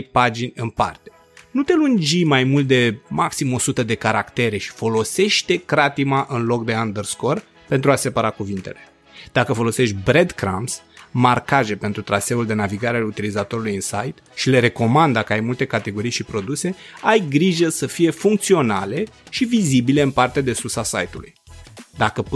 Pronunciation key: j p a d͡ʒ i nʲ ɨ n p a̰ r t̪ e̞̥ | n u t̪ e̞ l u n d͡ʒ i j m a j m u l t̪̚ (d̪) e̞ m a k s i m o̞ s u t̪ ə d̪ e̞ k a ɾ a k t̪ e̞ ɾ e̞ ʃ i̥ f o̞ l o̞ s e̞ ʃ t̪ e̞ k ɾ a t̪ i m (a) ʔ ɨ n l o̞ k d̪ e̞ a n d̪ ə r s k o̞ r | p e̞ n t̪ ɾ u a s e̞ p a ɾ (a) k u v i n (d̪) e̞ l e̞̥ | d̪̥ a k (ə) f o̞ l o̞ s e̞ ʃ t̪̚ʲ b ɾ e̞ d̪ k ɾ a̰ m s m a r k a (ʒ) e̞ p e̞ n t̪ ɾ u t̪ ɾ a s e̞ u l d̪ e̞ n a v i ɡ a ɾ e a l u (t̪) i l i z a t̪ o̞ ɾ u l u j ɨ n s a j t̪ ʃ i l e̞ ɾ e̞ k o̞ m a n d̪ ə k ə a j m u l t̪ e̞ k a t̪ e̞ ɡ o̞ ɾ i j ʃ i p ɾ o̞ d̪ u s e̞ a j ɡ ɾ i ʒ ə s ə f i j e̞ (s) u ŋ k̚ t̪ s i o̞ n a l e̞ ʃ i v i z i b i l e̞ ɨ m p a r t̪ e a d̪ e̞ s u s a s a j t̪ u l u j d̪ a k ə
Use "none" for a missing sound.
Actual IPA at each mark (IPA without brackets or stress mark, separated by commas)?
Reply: d̪, a, a, t̪, ə, ʒ, t̪, f